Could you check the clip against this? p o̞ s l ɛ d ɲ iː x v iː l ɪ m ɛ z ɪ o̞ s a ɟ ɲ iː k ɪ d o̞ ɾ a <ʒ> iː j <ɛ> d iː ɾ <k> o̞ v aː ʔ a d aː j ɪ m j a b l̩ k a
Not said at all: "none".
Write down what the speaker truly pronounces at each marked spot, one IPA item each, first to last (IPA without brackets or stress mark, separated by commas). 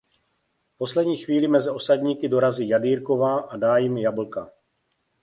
z, a, k